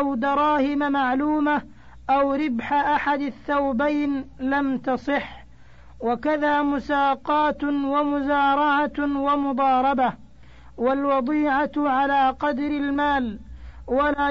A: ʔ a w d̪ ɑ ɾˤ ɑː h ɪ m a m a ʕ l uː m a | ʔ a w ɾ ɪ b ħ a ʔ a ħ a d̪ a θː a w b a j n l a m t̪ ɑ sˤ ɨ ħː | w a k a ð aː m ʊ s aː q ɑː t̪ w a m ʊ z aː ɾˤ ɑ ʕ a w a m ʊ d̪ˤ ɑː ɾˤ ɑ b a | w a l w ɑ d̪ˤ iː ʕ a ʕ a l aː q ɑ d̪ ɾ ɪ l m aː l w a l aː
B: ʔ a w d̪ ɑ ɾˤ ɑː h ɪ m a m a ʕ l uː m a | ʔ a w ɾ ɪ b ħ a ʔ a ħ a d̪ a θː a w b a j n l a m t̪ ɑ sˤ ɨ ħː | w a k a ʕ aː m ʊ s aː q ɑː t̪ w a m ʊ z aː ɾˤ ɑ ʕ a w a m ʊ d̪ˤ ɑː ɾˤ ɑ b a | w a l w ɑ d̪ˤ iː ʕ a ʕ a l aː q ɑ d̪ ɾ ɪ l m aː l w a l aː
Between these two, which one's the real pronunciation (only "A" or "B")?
A